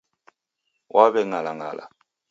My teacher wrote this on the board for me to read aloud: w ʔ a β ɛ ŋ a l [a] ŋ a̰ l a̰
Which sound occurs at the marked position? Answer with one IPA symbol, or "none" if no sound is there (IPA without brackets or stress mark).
a